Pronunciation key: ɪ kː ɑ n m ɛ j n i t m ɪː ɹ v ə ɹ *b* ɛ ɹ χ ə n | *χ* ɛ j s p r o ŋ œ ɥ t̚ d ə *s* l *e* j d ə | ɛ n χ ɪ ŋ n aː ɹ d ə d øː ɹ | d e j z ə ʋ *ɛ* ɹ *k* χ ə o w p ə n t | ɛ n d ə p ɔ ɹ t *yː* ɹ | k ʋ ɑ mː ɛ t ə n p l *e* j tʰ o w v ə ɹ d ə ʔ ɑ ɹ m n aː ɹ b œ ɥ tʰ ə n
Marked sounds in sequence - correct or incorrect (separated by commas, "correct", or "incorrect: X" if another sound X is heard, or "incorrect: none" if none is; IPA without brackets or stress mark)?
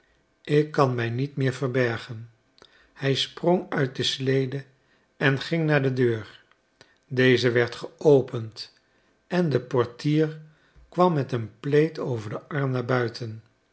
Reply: correct, incorrect: h, correct, correct, correct, incorrect: t, incorrect: iː, correct